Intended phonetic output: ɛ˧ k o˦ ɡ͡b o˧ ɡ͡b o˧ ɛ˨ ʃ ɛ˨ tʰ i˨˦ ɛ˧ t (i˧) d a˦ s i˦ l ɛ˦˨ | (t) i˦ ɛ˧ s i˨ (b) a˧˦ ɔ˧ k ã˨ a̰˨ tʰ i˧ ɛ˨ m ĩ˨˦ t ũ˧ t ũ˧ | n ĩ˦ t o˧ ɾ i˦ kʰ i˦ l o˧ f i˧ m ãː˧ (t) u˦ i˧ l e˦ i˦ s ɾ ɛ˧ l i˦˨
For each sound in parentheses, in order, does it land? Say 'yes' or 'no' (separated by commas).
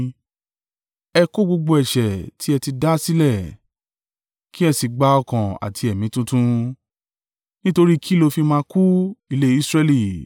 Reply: yes, no, no, no